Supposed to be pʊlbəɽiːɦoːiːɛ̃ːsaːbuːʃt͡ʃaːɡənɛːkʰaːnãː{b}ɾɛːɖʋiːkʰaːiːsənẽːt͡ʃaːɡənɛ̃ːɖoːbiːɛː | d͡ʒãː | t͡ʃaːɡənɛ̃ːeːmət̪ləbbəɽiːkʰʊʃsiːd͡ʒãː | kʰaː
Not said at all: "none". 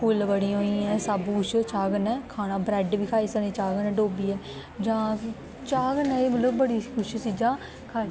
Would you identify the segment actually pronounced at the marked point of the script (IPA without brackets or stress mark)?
b